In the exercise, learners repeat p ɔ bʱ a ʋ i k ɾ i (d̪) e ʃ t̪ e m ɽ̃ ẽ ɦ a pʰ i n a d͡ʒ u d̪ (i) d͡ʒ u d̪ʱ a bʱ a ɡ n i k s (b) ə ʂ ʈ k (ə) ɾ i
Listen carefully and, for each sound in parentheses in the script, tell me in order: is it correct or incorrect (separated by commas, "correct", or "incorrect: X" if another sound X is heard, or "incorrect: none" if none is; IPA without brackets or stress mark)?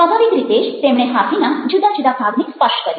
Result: incorrect: t̪, incorrect: a, incorrect: p, correct